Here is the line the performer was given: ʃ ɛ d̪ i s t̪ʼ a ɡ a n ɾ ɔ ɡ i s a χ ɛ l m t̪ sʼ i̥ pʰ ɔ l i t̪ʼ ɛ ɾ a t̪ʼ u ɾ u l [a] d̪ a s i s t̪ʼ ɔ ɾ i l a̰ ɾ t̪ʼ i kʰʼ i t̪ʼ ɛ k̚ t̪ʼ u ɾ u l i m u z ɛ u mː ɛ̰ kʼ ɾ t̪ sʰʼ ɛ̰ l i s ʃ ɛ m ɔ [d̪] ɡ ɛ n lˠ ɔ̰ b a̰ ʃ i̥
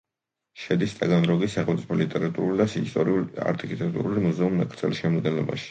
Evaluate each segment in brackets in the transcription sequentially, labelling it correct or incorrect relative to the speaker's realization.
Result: incorrect: i, correct

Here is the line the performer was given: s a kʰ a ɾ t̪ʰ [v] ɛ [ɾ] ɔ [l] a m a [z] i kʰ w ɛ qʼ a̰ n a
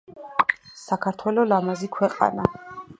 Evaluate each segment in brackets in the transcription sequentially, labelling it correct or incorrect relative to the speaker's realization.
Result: incorrect: w, incorrect: l, correct, correct

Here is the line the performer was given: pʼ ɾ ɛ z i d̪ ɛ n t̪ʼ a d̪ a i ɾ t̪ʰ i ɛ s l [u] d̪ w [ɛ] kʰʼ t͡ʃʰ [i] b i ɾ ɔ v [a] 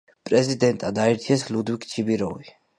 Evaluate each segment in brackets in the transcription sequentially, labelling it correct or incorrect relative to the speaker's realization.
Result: correct, incorrect: i, correct, incorrect: i

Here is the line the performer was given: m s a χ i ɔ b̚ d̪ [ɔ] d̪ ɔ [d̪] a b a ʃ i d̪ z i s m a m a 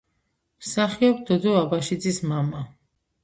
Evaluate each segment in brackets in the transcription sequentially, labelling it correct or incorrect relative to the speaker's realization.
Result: correct, incorrect: none

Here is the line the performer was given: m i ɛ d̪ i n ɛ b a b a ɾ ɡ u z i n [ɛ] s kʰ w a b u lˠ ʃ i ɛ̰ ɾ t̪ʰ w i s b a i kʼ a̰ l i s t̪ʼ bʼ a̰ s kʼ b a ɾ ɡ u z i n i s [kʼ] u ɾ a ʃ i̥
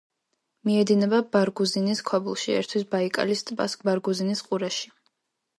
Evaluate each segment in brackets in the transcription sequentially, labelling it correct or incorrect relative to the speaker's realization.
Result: incorrect: i, incorrect: qʼ

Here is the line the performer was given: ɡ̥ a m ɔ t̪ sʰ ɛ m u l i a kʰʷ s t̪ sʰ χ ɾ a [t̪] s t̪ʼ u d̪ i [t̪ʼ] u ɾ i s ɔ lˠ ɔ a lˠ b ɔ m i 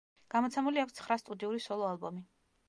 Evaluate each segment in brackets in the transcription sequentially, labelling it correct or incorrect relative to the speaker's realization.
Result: incorrect: none, incorrect: none

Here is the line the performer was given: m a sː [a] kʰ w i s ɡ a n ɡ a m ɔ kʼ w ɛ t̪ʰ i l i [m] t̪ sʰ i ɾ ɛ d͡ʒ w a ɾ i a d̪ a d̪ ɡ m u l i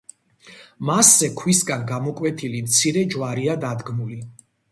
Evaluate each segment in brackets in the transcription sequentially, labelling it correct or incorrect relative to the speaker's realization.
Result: incorrect: ɛ, correct

